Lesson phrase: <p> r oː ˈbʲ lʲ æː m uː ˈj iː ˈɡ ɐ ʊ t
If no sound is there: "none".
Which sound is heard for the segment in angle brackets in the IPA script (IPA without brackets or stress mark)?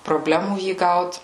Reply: p